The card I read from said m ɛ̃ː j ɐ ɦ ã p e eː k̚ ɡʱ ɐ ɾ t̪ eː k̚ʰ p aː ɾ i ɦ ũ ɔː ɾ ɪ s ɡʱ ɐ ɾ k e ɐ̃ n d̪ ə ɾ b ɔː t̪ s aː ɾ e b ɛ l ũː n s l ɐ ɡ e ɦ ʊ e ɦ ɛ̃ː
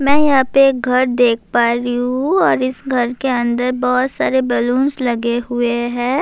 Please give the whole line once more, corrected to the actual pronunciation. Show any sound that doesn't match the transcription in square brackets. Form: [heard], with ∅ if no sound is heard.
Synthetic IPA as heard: m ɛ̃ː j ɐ ɦ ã p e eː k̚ ɡʱ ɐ ɾ [d̪] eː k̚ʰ p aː ɾ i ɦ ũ ɔː ɾ ɪ s ɡʱ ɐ ɾ k e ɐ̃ n d̪ ə ɾ b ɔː t̪ s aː ɾ e b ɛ l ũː n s l ɐ ɡ e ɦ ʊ e ɦ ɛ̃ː